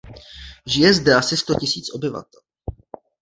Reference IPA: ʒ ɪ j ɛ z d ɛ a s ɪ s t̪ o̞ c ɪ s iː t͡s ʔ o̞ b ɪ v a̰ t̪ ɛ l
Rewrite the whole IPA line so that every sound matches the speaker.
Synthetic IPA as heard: ʒ ɪ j ɛ z d ɛ a s ɪ s t̪ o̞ c ɪ s iː t͡s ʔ o̞ b ɪ v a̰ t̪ ɛ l